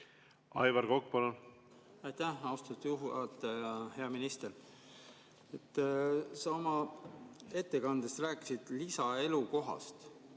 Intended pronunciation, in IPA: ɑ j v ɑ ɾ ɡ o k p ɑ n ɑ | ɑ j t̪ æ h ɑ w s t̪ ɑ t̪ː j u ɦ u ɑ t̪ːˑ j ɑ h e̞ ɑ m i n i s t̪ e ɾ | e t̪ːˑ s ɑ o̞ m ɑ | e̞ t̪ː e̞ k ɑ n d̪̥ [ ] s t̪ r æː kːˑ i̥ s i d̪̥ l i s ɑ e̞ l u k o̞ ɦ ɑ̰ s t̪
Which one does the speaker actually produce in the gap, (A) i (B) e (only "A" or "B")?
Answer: B